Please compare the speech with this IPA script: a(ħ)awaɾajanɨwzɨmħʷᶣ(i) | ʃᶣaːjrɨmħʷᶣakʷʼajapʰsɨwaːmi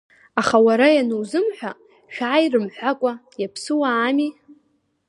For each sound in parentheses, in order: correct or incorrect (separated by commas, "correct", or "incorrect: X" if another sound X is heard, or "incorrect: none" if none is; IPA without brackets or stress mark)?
incorrect: χ, incorrect: a